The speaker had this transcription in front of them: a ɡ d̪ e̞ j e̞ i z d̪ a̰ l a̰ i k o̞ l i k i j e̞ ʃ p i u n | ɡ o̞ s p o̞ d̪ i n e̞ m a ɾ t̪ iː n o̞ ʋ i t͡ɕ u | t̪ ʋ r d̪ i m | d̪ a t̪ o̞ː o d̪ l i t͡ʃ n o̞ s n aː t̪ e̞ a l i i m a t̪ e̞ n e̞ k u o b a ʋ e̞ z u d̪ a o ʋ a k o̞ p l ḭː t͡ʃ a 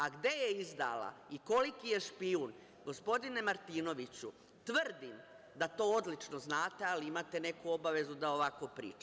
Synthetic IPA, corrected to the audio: a ɡ d̪ e̞ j e̞ i z d̪ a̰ l a̰ i k o̞ l i k i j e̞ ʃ p i u n | ɡ o̞ s p o̞ d̪ i n e̞ m a ɾ t̪ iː n o̞ ʋ i t͡ɕ u | t̪ ʋ r d̪ i m | d̪ a t̪ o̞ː o d̪ l i t͡ʃ n o̞ z n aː t̪ e̞ a l i i m a t̪ e̞ n e̞ k u o b a ʋ e̞ z u d̪ a o ʋ a k o̞ p ɾ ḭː t͡ʃ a